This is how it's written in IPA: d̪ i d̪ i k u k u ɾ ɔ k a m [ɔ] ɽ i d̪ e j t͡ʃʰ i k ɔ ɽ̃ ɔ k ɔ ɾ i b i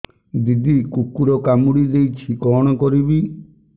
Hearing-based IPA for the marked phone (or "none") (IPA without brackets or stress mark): u